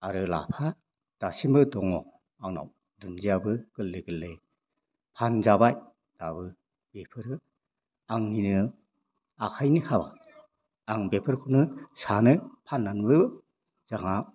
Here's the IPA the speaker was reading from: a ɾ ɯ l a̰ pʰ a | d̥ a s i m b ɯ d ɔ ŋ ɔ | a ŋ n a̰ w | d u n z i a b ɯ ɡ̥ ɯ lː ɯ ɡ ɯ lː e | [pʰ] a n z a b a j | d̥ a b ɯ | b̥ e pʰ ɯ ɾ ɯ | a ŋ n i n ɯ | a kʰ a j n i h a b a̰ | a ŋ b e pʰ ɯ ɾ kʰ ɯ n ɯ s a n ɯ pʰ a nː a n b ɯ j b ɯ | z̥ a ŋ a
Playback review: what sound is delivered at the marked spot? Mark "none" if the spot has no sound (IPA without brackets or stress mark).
pʰ